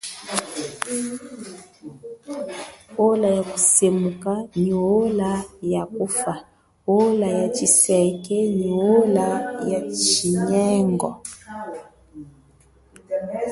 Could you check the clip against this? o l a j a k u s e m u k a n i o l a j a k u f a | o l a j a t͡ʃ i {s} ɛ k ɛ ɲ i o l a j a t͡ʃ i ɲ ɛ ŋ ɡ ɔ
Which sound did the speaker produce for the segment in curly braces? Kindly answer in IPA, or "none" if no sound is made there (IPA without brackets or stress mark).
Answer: s